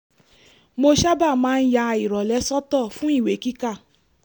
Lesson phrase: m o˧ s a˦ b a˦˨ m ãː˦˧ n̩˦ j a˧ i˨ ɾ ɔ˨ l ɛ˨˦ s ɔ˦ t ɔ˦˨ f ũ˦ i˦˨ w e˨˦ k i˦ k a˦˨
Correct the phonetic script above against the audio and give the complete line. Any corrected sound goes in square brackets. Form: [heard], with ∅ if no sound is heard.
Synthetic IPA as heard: m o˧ [ʃ] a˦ b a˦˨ m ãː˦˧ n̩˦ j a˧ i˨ ɾ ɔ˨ l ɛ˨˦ s ɔ˦ t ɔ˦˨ f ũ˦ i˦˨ w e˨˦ k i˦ k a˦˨